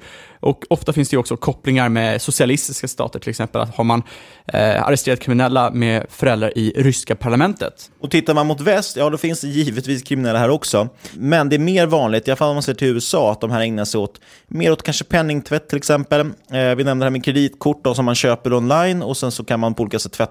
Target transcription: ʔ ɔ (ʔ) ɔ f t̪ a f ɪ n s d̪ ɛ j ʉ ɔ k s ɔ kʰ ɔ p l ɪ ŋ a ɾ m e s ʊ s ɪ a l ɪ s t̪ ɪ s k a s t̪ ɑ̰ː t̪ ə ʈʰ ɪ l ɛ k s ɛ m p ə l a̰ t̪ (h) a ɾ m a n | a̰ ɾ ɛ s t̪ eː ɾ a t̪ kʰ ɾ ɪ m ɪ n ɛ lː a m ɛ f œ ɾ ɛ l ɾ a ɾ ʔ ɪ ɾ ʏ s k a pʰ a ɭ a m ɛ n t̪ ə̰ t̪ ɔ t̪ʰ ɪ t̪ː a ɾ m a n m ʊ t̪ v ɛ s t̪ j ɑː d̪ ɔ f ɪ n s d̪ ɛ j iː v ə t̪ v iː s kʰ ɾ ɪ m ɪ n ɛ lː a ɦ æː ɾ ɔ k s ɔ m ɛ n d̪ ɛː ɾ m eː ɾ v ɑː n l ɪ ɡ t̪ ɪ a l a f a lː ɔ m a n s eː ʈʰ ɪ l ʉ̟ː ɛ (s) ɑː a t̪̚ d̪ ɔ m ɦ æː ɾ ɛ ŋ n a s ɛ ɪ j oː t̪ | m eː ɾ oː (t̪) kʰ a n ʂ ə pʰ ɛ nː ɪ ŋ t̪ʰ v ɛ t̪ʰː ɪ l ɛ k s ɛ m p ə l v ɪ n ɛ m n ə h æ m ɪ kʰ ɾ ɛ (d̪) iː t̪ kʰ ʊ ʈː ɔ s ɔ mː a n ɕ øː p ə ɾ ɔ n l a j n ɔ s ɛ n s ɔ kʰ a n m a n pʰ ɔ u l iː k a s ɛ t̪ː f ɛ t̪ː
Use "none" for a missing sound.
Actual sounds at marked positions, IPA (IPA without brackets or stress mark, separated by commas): k, h, s, t̪, d̪